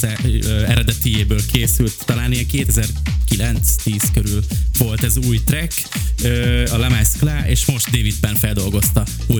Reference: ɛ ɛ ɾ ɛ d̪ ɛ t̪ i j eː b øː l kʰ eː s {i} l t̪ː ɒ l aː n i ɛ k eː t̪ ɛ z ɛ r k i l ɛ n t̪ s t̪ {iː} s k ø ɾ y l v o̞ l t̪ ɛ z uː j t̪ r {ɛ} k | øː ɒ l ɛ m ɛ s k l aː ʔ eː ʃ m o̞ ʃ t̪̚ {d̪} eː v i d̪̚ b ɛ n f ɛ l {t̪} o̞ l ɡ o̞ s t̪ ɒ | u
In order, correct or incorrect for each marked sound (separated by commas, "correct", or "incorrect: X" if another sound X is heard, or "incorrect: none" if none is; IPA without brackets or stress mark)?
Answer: incorrect: y, correct, correct, correct, incorrect: d̪